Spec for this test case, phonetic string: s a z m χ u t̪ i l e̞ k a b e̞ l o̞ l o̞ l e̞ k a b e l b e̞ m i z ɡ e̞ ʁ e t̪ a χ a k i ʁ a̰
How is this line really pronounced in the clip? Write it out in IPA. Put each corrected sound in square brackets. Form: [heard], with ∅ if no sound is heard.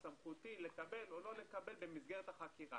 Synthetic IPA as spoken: s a [∅] m χ u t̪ i l e̞ k a b e̞ l o̞ l o̞ l e̞ k a b e l b e̞ m i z ɡ e̞ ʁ e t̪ a χ a k i ʁ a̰